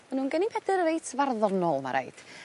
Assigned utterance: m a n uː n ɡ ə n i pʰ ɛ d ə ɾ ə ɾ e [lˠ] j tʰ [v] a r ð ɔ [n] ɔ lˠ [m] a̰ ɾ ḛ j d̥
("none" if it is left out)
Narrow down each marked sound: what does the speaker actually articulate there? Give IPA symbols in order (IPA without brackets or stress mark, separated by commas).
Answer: none, v, n, m